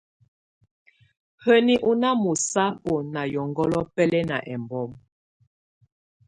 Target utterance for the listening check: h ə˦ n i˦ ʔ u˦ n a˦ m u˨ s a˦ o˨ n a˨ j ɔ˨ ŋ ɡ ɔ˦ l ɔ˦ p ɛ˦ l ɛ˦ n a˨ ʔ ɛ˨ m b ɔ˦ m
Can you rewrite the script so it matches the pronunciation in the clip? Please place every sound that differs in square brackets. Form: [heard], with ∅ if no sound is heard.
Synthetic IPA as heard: h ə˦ n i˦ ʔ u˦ n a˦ m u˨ s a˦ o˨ n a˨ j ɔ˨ ŋ ɡ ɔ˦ l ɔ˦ p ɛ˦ l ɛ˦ n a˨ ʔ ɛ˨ m b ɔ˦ m